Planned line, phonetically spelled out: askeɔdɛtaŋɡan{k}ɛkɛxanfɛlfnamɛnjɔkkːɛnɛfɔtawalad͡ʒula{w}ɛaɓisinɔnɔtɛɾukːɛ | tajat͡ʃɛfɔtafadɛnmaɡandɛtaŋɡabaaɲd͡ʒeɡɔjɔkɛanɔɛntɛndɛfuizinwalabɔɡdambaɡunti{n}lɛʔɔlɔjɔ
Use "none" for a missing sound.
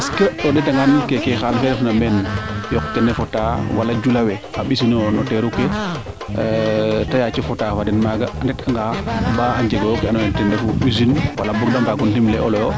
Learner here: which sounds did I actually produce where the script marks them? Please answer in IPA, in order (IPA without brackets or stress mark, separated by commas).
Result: k, w, m